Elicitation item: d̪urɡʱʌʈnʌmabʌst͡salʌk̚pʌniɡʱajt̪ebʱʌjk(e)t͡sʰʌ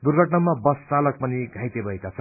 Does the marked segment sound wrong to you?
yes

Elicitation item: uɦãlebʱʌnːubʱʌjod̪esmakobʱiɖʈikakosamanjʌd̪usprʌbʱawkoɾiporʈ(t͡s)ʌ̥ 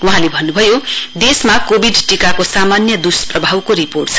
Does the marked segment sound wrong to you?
yes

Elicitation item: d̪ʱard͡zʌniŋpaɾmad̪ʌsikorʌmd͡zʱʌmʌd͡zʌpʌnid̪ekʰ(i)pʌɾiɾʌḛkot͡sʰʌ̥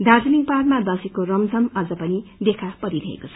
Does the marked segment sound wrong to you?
yes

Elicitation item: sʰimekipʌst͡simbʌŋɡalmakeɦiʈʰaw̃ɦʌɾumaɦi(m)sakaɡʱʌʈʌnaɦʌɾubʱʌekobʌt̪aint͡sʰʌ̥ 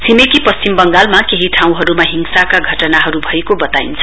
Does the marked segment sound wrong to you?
yes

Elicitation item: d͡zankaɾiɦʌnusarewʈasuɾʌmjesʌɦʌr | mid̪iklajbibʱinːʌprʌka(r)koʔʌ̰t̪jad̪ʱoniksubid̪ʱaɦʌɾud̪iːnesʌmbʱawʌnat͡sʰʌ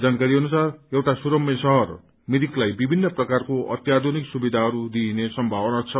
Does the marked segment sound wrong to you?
no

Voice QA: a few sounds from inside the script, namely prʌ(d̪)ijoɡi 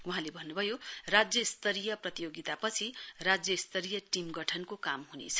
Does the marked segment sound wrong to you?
yes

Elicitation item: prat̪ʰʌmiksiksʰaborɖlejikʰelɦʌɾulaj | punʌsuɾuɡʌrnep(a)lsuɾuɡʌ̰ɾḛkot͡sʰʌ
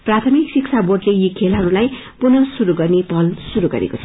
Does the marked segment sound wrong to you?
yes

